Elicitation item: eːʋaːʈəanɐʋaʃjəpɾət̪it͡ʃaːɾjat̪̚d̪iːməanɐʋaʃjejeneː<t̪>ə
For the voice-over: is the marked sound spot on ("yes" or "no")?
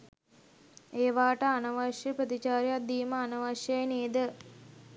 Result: no